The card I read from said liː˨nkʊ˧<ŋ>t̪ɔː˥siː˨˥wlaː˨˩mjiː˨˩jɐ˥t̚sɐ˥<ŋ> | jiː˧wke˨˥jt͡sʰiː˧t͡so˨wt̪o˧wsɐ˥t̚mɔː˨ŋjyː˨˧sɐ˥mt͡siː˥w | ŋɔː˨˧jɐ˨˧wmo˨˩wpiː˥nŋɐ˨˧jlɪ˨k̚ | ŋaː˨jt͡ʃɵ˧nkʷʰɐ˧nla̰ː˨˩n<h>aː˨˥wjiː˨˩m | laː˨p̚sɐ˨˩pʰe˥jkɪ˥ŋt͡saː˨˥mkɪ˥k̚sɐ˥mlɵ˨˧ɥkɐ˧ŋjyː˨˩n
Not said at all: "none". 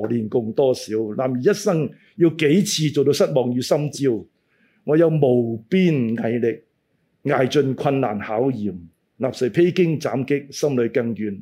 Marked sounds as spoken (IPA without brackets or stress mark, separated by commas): ŋ, ŋ, h